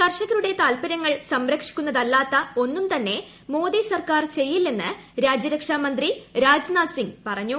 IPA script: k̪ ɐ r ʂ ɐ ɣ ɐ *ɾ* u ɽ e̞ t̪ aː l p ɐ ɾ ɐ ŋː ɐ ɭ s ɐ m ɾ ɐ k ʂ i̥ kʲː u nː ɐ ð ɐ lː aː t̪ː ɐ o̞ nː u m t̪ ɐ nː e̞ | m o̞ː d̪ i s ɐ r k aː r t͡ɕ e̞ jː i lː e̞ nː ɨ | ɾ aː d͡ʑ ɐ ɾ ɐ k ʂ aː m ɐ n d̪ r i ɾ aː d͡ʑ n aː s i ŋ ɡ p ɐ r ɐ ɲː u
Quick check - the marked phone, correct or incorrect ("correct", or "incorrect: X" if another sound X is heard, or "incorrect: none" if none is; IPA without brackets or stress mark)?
correct